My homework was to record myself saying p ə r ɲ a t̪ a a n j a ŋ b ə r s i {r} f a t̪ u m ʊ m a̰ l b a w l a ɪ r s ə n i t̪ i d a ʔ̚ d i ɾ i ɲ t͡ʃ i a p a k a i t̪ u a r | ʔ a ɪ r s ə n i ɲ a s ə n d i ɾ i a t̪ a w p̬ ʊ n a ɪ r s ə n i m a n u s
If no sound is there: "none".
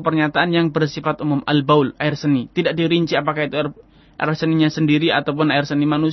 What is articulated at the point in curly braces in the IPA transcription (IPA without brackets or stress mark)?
none